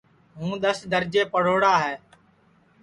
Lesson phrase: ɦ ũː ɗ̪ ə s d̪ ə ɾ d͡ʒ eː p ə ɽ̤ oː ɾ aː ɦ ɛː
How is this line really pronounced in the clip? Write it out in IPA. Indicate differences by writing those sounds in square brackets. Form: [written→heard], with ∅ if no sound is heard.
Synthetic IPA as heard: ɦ ũː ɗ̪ ə s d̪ ə ɾ d͡ʒ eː p ə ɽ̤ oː [ɾ→ɽ] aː ɦ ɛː